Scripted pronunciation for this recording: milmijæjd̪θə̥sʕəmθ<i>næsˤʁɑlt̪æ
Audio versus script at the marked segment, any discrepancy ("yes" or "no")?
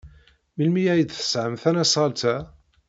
yes